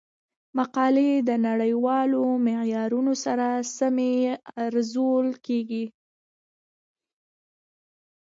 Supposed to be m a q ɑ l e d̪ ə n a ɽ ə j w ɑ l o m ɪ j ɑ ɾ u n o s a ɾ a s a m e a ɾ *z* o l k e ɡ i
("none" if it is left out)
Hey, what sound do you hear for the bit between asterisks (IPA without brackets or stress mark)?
z